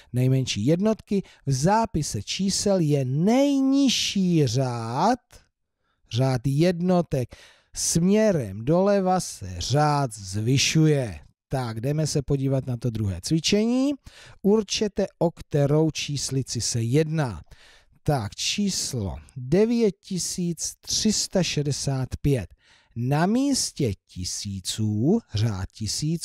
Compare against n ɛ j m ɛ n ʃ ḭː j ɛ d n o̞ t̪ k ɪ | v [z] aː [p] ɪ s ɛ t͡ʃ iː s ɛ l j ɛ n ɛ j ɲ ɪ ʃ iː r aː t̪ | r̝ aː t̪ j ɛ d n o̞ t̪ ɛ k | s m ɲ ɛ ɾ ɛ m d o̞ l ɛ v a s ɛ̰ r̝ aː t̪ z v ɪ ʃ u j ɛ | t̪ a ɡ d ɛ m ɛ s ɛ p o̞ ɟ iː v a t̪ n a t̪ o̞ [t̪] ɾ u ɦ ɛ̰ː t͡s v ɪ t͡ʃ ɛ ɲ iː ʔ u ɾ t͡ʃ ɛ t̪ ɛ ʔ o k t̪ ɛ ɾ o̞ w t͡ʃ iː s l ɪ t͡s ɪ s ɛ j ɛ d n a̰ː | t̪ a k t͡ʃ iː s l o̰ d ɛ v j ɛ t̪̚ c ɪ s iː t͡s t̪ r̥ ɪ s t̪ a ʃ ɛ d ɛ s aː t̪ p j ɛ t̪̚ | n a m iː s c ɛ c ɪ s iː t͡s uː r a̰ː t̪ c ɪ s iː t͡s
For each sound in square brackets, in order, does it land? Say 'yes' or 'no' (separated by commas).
yes, yes, no